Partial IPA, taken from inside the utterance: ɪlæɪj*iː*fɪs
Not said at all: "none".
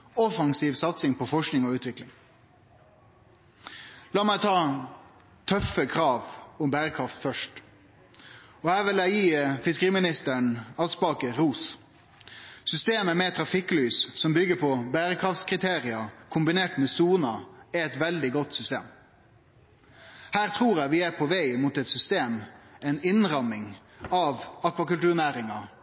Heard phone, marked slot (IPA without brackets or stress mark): iː